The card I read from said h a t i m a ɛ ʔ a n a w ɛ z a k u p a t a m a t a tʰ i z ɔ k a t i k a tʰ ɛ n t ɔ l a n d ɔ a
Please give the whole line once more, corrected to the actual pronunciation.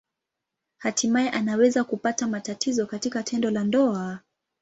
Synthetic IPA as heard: h a t i m a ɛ ʔ a n a w ɛ z a k u p a t a m a t a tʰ i z ɔ k a t i k a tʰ ɛ n d ɔ l a n d ɔ a